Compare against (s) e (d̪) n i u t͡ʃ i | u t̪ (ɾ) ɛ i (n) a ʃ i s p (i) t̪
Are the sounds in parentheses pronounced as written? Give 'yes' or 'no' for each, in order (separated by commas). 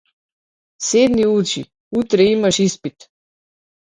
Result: yes, yes, yes, no, yes